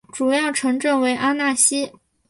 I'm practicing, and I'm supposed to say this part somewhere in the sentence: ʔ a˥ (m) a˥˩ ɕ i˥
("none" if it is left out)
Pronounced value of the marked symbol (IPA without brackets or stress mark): n